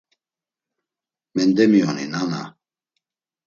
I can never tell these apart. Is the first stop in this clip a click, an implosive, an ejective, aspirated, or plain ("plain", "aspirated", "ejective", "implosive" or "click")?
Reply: plain